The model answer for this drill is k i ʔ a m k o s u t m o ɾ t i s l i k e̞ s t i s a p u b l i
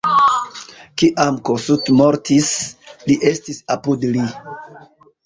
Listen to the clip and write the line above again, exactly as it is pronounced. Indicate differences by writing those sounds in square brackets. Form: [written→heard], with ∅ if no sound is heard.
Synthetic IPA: k i ʔ a m k o s u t m o ɾ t i s l i [k→ʔ] e̞ s t i s a p u [b→d] l i

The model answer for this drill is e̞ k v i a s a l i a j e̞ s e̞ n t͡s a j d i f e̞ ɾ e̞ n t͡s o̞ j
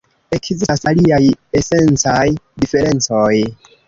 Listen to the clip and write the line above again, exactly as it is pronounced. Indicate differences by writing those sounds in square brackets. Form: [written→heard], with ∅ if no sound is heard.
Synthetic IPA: e̞ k [v→z] i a s a l i a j e̞ s e̞ n t͡s a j d i f e̞ ɾ e̞ n t͡s o̞ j

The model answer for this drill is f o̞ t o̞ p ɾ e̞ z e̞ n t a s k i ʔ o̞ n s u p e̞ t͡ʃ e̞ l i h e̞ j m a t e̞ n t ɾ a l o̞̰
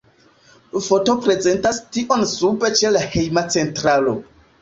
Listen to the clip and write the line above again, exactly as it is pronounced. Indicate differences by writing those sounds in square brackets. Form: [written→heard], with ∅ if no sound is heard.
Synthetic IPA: f o̞ t o̞ p ɾ e̞ z e̞ n t a s [k→t] i ʔ o̞ n s u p e̞ t͡ʃ e̞ l [i→a] h e̞ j m a [t→t͡s] e̞ n t ɾ a l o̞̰

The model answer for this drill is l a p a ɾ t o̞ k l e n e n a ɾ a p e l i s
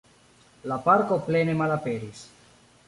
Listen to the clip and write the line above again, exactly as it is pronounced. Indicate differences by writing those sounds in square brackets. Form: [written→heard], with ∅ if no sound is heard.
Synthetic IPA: l a p a ɾ [t→k] o̞ [k→p] l e n e [n→m] a [ɾ→l] a p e [l→ɾ] i s

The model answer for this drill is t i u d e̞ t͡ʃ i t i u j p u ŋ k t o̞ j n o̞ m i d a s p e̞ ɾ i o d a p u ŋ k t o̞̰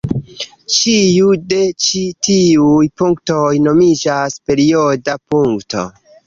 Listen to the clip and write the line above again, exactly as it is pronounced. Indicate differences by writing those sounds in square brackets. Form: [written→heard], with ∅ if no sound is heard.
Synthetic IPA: [t→t͡ʃ] i u d e̞ t͡ʃ i t i u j p u ŋ k t o̞ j n o̞ m i [d→d͡ʒ] a s p e̞ ɾ i o d a p u ŋ k t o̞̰

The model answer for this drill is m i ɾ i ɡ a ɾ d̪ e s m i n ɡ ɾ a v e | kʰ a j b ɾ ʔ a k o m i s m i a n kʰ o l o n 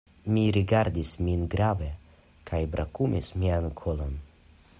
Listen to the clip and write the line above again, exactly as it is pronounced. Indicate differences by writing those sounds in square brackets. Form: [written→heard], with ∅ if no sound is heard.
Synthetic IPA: m i ɾ i ɡ a ɾ d̪ [e→i] s m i n ɡ ɾ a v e | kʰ a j b ɾ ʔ a k [o→u] m i s m i a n kʰ o l o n

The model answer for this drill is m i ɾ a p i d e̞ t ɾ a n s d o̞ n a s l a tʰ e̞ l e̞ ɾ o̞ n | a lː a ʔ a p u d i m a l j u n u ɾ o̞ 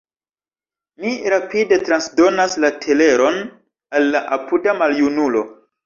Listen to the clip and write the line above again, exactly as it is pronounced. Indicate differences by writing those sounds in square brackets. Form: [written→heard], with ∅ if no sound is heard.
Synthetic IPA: m i ɾ a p i d e̞ t ɾ a n s d o̞ n a s l a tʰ e̞ l e̞ ɾ o̞ n | a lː a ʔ a p u d [i→a] m a l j u n u [ɾ→l] o̞

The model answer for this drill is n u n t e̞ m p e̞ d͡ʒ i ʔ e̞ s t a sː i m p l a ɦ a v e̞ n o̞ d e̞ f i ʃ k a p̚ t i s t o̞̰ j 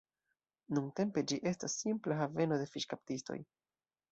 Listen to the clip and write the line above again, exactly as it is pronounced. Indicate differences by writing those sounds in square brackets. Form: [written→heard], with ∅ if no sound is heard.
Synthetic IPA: n u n t e̞ m p e̞ d͡ʒ i ʔ e̞ s t a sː i m p l a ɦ a v e̞ n o̞ d e̞ f i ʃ k a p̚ t i s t o̞̰ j

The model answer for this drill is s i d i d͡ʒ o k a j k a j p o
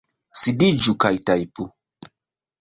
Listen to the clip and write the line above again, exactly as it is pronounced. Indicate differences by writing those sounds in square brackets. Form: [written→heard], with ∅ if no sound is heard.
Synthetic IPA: s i d i d͡ʒ [o→u] k a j [k→t] a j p [o→u]

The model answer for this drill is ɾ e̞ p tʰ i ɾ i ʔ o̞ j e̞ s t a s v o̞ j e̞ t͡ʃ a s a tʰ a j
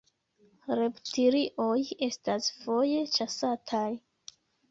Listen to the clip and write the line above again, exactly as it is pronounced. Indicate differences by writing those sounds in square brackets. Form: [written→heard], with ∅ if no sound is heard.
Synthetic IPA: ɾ e̞ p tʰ i ɾ i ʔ o̞ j e̞ s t a s [v→f] o̞ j e̞ t͡ʃ a s a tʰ a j

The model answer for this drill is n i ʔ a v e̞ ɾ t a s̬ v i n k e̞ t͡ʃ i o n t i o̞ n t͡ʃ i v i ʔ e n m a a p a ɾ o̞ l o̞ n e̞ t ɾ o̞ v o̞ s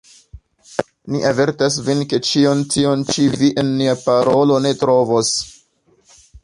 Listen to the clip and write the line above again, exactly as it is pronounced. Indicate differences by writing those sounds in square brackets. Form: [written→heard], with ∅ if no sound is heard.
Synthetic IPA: n i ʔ a v e̞ ɾ t a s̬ v i n k e̞ t͡ʃ i o n t i o̞ n t͡ʃ i v i ʔ e n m [a→i] a p a ɾ o̞ l o̞ n e̞ t ɾ o̞ v o̞ s

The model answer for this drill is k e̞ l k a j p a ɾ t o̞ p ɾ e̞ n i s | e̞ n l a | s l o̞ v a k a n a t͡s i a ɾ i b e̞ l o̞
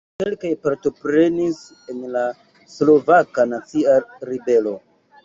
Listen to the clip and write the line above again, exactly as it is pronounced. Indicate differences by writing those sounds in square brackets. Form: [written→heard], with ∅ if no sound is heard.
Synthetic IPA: k e̞ l k a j p a ɾ t o̞ p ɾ e̞ n i s | e̞ n l a | s l o̞ v a k a n a t͡s i a ɾ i b e̞ l o̞

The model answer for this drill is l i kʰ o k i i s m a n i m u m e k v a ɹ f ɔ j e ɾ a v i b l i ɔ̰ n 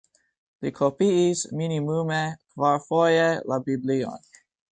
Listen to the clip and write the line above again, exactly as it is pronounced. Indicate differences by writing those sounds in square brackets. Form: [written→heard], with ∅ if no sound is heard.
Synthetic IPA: l i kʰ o [k→p] i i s m [a→i] n i m u m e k v a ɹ f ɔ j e [ɾ→l] a [v→b] i b l i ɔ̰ n

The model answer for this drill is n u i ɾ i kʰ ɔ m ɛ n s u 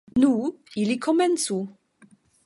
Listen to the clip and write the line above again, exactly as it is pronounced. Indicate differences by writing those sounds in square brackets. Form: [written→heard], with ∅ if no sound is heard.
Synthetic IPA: n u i [ɾ→l] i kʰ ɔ m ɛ n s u

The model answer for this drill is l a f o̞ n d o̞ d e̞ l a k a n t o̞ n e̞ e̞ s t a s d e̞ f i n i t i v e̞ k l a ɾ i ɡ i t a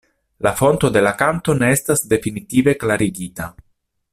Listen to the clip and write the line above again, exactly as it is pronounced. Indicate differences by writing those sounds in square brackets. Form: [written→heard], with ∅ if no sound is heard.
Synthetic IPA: l a f o̞ n [d→t] o̞ d e̞ l a k a n t o̞ n e̞ e̞ s t a s d e̞ f i n i t i v e̞ k l a ɾ i ɡ i t a

